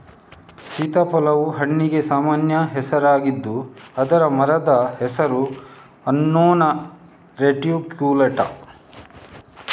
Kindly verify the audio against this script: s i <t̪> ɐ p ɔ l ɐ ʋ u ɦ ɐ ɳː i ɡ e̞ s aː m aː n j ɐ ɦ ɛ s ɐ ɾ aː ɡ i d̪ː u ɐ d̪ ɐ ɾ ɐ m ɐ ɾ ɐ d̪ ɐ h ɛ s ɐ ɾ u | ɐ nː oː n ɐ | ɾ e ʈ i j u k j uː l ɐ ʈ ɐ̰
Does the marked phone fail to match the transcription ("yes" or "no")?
no